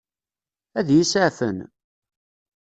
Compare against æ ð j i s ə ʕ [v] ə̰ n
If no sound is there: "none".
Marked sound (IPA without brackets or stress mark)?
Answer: f